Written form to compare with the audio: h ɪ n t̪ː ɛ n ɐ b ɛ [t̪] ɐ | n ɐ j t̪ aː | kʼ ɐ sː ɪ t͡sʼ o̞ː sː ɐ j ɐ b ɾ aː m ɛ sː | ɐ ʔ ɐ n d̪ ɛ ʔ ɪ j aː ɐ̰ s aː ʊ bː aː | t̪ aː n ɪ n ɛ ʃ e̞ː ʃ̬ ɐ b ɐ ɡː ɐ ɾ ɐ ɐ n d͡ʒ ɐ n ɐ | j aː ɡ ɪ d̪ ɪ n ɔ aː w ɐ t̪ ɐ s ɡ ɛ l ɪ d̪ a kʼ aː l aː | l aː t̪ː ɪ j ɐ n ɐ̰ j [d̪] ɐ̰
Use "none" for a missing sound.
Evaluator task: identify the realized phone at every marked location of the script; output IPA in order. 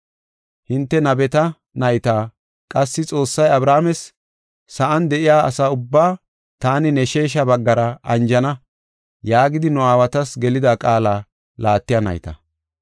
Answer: t̪, t̪

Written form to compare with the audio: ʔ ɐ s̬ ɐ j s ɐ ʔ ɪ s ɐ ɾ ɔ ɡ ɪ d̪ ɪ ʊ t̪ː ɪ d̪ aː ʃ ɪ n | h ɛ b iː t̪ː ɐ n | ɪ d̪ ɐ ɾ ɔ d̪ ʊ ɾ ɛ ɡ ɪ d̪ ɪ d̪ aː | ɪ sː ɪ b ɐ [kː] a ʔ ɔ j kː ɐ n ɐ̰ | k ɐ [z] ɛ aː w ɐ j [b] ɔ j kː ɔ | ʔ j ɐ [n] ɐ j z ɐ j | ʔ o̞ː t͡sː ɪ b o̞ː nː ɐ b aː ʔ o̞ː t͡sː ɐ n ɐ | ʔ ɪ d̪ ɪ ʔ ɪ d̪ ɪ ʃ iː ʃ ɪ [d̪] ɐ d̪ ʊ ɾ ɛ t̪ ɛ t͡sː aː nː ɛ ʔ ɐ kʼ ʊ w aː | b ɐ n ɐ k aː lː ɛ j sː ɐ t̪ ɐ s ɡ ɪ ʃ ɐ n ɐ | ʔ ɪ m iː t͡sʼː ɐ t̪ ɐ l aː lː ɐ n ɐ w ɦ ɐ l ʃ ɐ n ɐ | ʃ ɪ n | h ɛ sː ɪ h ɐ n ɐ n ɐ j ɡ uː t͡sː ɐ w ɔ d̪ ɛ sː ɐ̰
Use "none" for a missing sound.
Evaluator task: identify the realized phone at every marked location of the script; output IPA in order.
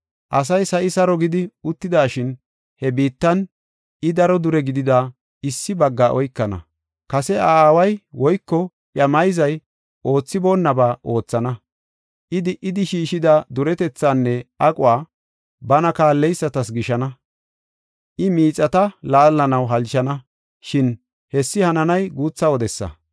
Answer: ɡː, s, w, m, d̪

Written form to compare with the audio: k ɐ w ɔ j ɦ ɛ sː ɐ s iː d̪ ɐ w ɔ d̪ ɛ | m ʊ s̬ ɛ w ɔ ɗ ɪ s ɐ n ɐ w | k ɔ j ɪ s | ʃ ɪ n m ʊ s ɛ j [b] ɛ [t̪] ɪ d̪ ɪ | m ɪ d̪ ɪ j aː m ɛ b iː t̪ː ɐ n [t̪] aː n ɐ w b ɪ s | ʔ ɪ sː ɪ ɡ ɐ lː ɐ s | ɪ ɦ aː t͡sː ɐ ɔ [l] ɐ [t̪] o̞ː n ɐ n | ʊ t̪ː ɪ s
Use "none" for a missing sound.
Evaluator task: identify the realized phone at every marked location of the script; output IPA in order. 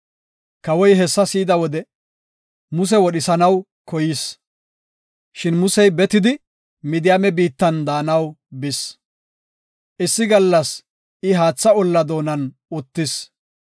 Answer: b, t̪, d̪, lː, d̪

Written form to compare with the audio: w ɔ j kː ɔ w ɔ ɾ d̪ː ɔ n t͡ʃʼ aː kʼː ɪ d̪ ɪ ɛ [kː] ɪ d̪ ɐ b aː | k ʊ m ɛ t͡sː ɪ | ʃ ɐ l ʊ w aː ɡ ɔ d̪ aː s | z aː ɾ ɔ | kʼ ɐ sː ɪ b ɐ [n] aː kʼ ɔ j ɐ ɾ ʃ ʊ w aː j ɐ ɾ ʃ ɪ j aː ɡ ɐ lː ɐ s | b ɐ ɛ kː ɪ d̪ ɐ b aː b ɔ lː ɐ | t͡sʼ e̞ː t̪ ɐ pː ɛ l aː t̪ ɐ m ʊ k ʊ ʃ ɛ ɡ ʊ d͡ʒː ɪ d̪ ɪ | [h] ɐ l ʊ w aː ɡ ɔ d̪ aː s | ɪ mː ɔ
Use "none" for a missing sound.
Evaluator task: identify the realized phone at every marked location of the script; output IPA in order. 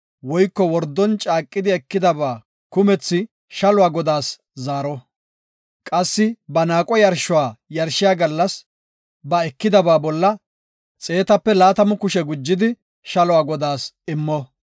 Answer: kː, n, ʃ

